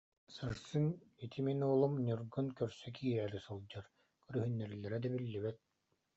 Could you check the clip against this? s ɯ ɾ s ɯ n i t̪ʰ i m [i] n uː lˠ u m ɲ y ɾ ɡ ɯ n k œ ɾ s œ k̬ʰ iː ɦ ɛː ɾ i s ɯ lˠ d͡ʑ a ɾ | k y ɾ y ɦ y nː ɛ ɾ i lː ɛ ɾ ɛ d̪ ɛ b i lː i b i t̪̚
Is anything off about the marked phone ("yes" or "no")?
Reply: no